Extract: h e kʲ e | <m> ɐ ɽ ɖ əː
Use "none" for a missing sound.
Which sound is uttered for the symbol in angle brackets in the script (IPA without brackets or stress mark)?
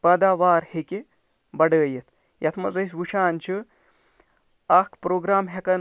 b